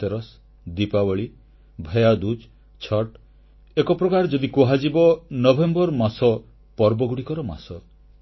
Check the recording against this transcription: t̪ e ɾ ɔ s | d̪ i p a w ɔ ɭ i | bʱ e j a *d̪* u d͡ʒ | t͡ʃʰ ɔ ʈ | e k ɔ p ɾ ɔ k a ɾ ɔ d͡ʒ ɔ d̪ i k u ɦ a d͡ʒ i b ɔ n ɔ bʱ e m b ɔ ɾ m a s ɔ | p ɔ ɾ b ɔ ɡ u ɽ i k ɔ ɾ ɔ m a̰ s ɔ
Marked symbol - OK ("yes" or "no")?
yes